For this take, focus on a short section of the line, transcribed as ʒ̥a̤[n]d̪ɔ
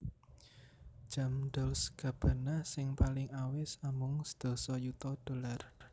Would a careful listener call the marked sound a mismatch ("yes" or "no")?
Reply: yes